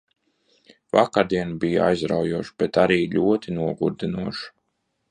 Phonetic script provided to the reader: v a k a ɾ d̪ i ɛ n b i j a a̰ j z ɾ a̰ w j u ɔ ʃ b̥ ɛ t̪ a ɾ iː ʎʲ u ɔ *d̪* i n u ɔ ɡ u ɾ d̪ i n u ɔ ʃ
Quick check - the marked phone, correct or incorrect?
incorrect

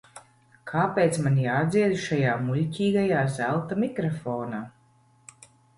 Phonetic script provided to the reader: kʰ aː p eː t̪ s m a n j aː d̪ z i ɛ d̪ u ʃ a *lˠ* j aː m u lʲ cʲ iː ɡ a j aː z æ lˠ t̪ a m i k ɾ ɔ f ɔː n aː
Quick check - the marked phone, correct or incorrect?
incorrect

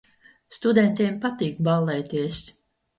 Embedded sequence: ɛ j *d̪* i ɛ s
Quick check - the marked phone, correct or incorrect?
incorrect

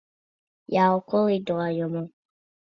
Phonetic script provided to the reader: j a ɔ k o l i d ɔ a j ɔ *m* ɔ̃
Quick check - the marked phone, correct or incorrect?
correct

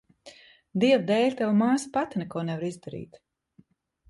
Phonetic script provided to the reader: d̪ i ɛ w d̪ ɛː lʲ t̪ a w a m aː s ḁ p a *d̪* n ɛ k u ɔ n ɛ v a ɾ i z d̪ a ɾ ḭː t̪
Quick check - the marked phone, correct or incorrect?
incorrect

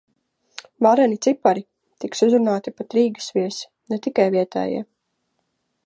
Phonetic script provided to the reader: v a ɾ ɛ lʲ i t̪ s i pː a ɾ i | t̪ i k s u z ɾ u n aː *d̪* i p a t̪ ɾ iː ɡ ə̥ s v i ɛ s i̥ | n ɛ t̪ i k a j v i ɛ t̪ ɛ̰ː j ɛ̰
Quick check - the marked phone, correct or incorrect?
incorrect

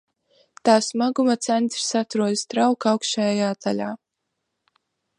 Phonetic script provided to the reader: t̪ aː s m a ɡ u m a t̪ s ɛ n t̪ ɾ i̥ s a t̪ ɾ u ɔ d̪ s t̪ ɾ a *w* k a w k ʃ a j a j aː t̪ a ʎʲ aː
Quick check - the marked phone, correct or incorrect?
correct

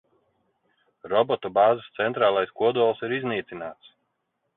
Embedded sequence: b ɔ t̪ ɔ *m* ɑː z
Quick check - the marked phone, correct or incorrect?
incorrect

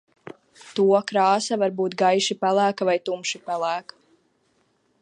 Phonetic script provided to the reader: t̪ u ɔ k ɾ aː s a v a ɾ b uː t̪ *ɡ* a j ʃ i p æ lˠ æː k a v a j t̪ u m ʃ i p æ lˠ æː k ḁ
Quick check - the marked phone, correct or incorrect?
correct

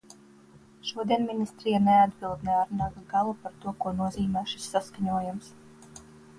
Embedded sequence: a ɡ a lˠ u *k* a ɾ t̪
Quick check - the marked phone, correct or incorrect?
incorrect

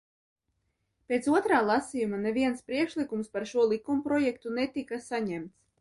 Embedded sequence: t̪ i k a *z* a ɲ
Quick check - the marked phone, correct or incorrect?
incorrect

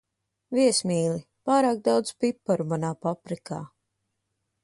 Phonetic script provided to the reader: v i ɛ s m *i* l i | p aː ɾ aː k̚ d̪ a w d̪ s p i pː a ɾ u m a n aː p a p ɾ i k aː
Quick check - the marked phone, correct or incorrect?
incorrect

